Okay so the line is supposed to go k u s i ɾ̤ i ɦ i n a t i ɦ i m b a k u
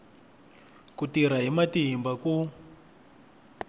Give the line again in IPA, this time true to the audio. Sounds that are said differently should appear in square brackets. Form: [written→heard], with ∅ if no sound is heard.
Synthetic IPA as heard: k u [s→t] i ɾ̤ [i→a] ɦ i [n→m] a t i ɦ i m b a k u